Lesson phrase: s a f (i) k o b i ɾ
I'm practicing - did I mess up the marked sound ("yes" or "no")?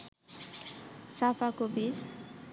yes